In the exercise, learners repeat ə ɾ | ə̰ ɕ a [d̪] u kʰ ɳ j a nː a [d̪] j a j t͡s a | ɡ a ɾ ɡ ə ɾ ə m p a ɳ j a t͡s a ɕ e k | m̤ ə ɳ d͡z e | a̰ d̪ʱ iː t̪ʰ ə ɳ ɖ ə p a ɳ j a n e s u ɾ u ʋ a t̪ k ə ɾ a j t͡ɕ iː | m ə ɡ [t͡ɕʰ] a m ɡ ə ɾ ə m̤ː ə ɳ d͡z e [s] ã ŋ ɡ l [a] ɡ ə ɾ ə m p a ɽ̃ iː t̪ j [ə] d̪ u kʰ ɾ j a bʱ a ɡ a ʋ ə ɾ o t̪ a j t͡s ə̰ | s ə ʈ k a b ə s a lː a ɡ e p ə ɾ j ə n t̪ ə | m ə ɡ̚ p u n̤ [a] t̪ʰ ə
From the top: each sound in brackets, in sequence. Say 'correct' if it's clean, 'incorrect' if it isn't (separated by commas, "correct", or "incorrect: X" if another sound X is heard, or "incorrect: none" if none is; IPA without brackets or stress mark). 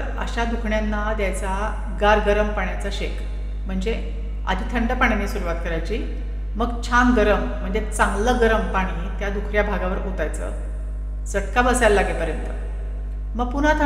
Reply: correct, correct, correct, incorrect: t͡s, incorrect: ə, incorrect: a, correct